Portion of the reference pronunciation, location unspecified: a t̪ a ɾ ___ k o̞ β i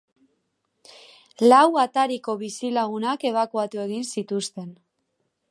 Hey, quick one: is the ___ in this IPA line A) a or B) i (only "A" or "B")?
B